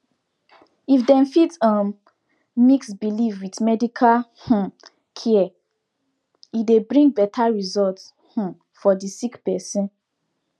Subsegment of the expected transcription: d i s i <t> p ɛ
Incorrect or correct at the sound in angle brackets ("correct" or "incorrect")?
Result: incorrect